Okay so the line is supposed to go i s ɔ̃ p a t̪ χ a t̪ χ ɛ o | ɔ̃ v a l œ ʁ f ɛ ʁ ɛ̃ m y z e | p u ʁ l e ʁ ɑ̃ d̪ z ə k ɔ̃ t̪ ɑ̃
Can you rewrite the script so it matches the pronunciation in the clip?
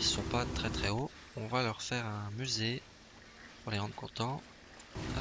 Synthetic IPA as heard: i s ɔ̃ p a t̪ χ ɛ t̪ χ ɛ o | ɔ̃ v a l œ ʁ f ɛ ʁ ɛ̃ m y z e | p u ʁ l e ʁ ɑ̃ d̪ ʁ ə k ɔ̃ t̪ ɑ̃